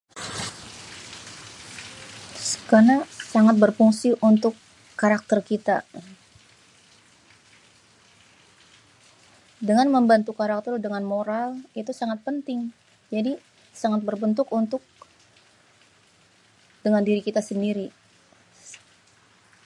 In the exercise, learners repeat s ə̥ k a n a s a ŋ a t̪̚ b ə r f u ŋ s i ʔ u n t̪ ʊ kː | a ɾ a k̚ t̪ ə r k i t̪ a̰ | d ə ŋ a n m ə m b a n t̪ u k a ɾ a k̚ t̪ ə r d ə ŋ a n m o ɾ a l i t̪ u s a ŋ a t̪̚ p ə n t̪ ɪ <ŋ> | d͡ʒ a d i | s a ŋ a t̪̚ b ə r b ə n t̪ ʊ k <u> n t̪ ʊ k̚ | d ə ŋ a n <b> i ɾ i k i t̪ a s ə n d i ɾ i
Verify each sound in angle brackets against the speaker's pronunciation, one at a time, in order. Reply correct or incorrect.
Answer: correct, correct, incorrect: d

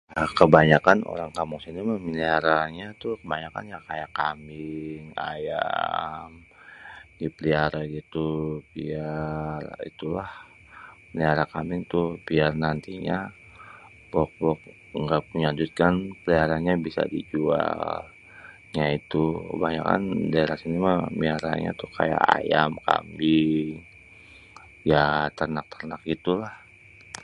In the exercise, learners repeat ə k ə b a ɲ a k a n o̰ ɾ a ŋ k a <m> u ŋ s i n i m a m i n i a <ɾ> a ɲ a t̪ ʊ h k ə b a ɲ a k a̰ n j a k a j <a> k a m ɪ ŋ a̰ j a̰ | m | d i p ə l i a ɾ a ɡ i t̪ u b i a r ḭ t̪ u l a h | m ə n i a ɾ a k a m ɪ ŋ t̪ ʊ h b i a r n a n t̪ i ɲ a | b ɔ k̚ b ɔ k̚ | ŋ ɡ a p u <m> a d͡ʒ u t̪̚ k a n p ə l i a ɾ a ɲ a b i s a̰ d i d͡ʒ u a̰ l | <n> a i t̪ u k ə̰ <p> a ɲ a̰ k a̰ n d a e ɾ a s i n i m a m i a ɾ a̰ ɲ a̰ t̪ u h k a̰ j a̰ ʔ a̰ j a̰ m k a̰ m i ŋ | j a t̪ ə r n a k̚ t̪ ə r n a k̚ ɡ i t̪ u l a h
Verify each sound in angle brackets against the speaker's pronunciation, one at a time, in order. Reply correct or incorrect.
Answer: correct, correct, correct, incorrect: ɲ, incorrect: ɲ, incorrect: b

